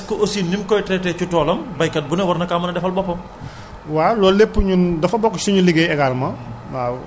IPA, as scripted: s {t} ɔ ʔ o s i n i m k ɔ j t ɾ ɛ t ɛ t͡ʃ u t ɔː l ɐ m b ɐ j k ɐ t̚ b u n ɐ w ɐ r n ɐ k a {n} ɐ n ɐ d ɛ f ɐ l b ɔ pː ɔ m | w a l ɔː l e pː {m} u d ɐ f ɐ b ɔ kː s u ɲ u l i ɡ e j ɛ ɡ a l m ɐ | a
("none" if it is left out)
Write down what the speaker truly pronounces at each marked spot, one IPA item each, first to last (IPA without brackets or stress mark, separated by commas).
k, m, ɲ